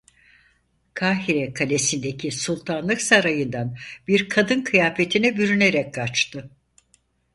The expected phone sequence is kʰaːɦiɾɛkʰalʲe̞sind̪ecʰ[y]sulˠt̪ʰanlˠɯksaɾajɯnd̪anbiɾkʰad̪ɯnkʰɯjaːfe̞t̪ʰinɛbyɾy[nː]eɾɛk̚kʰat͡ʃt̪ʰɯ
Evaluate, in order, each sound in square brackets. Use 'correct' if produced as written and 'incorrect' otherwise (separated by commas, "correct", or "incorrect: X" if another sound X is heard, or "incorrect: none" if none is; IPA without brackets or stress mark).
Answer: incorrect: i, incorrect: n